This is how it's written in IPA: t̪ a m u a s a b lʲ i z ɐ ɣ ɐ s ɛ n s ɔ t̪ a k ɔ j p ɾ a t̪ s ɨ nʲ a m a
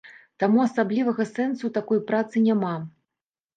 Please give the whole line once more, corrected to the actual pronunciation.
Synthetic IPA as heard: t̪ a m u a s a b lʲ i v ɐ ɣ ɐ s ɛ n s u t̪ a k ɔ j p ɾ a t̪ s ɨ nʲ a m a